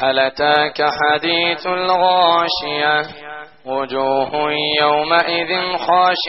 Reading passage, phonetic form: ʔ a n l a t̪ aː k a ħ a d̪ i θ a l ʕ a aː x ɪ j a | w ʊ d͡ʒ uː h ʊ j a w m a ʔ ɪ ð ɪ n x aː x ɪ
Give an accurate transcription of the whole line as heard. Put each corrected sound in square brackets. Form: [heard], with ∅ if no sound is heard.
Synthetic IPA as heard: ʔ a [∅] l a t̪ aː k a ħ a d̪ [iː] θ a l [ɣ] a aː [ʃ] ɪ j a | w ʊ d͡ʒ uː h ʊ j a w m a ʔ ɪ ð ɪ n x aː [ʃ] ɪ